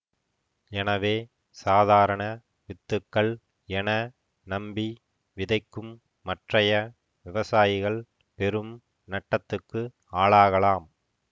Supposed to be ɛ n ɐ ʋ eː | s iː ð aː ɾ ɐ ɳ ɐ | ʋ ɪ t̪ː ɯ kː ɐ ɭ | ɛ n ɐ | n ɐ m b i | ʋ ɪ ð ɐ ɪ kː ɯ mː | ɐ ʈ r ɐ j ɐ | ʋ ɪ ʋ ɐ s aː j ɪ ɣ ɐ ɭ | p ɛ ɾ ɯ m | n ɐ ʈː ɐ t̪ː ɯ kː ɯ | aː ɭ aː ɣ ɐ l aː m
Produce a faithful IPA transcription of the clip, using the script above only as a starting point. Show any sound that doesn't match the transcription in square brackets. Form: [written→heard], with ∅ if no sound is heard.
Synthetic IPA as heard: ɛ n ɐ ʋ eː | s [iː→aː] ð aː ɾ ɐ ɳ ɐ | ʋ ɪ t̪ː ɯ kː ɐ ɭ | ɛ n ɐ | n ɐ m b i | ʋ ɪ ð ɐ ɪ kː ɯ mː | ɐ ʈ r ɐ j ɐ | ʋ ɪ ʋ ɐ s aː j ɪ ɣ ɐ ɭ | p ɛ ɾ ɯ m | n ɐ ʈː ɐ t̪ː ɯ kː ɯ | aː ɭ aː ɣ ɐ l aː m